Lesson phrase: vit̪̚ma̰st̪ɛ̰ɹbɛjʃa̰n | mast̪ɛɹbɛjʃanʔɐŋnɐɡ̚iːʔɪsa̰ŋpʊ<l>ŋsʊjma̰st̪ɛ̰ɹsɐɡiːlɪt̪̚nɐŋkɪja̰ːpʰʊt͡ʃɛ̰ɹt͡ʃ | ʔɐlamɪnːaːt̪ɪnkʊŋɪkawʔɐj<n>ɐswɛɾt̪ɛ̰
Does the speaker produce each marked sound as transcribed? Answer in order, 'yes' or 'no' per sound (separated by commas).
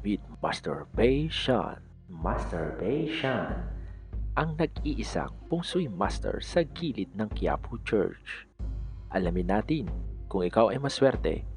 no, no